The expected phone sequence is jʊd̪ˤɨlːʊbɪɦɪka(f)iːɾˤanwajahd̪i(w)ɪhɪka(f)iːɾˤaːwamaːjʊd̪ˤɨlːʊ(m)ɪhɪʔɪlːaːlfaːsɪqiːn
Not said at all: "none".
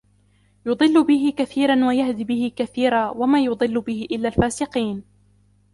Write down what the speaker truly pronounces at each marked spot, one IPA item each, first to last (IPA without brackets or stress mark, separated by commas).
θ, b, θ, b